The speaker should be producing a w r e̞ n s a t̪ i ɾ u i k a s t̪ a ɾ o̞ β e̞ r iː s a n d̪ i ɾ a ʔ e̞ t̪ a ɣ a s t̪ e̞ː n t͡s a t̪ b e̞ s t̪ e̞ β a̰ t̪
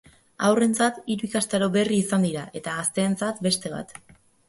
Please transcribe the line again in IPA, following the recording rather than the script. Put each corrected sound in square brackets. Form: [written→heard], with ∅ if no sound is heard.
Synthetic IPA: a w r e̞ n [s→t͡s] a t̪ i ɾ u i k a s t̪ a ɾ o̞ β e̞ r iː s a n d̪ i ɾ a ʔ e̞ t̪ a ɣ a s t̪ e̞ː n t͡s a t̪ b e̞ s t̪ e̞ β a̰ t̪